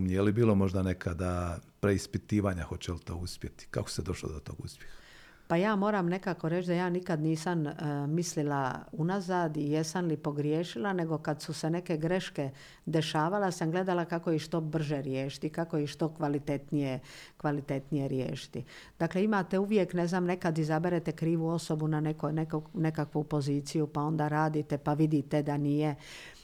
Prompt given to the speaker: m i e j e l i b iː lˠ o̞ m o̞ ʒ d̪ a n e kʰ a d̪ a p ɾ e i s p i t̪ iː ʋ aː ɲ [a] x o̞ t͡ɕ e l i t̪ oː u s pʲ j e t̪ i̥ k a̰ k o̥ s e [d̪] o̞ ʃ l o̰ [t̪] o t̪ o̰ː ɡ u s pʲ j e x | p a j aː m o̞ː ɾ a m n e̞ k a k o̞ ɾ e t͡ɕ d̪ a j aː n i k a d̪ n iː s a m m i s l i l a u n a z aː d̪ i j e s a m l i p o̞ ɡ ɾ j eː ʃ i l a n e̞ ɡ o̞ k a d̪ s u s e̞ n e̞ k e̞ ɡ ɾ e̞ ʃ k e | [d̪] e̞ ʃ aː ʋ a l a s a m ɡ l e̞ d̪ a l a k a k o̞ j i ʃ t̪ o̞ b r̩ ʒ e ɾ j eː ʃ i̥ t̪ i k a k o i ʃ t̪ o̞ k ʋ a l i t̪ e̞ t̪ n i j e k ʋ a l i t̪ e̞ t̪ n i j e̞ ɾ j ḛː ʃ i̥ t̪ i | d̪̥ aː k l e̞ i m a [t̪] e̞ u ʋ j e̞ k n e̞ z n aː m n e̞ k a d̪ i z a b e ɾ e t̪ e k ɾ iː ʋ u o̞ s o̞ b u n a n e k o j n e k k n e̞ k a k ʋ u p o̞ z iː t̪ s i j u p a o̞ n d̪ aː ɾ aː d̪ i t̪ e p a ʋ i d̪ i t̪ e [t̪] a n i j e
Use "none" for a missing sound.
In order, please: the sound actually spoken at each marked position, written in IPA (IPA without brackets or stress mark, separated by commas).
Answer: a, d̪, d̪, d̪, t̪, d̪